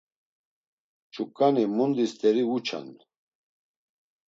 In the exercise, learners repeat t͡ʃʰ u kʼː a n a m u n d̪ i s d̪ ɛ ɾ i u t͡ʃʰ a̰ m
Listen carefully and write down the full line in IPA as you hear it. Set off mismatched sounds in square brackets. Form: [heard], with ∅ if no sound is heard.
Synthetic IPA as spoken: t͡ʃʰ u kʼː a n [i] m u n d̪ i s [t̪] ɛ ɾ i u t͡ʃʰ a̰ [n]